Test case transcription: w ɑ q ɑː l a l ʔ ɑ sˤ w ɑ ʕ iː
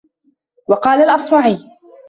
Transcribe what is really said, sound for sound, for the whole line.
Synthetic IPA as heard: w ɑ q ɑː l a l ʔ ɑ sˤ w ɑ ʕ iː